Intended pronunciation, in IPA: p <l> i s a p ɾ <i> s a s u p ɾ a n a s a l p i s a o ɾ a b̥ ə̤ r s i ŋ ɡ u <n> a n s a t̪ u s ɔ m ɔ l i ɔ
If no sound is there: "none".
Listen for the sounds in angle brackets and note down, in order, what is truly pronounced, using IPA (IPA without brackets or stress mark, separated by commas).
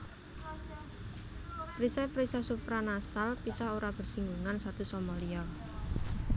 ɾ, i, ŋ